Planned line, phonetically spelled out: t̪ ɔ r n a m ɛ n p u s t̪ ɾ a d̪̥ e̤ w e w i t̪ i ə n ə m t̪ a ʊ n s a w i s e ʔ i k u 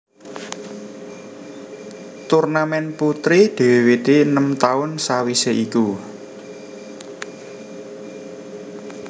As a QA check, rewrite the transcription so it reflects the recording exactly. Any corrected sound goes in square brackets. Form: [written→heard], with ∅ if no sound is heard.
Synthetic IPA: t̪ [ɔ→u] r n a m ɛ n p u [s→∅] t̪ ɾ [a→i] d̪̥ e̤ w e w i t̪ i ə n ə m t̪ a ʊ n s a w i s e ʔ i k u